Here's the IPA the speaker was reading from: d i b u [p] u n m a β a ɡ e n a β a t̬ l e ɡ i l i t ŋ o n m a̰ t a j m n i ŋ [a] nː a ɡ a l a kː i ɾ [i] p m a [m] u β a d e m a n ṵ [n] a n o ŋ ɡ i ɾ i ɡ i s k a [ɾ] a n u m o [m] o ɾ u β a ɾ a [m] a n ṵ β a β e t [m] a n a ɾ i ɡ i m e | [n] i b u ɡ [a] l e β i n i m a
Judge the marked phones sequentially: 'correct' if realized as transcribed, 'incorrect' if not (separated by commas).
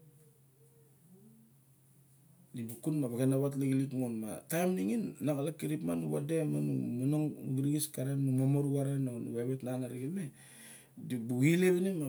incorrect, incorrect, correct, incorrect, incorrect, correct, correct, incorrect, incorrect, incorrect, incorrect